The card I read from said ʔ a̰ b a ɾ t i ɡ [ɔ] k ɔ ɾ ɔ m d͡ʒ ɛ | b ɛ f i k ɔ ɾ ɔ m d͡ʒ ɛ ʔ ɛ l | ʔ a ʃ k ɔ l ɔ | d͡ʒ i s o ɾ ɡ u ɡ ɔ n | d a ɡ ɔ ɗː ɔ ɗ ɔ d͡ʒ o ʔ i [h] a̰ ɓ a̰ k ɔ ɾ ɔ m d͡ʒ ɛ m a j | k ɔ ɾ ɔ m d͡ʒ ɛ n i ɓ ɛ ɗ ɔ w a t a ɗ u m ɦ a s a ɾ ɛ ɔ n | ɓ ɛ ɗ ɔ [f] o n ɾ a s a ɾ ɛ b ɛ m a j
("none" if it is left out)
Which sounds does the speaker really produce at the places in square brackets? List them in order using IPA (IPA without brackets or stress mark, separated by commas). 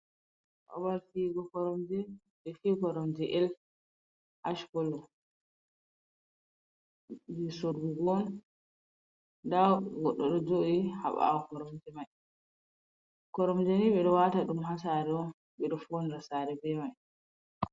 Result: ɔ, h, f